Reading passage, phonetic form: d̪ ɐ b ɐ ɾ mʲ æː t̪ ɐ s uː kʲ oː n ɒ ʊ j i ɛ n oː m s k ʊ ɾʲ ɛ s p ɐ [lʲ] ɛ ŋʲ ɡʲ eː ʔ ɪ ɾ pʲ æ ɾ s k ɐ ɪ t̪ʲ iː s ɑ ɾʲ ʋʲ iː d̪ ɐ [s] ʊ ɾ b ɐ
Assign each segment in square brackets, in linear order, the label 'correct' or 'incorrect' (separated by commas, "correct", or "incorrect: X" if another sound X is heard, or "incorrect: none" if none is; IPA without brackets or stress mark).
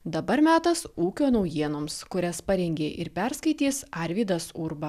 incorrect: ɾʲ, correct